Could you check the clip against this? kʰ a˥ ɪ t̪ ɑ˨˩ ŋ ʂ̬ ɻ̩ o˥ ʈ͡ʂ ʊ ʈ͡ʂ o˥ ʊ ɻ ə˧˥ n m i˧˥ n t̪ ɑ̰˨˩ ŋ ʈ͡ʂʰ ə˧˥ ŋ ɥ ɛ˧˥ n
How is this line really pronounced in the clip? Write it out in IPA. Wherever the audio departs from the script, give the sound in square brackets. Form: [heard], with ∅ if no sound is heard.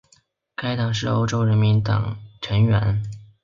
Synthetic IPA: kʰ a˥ ɪ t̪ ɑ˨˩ ŋ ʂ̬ ɻ̩ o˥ [∅] ʊ ʈ͡ʂ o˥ ʊ ɻ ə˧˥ n m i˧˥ n t̪ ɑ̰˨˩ ŋ ʈ͡ʂʰ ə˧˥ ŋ ɥ ɛ˧˥ n